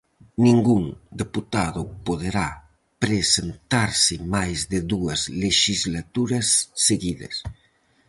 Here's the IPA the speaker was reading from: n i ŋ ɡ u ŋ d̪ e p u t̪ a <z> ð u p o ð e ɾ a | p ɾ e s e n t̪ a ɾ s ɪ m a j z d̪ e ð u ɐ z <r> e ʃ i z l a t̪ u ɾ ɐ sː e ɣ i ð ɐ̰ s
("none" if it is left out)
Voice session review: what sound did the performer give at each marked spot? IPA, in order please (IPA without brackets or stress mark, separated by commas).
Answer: none, l